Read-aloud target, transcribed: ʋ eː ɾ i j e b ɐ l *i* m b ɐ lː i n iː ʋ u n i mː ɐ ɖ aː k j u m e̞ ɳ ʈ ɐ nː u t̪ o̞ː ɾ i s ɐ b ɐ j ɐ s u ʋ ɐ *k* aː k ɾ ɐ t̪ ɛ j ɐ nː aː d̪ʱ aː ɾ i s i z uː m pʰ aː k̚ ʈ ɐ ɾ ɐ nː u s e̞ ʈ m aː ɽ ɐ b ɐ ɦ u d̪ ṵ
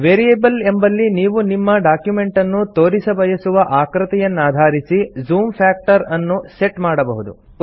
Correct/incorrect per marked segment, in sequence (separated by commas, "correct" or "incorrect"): incorrect, incorrect